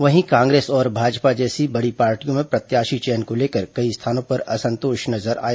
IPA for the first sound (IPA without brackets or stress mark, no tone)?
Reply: ʋ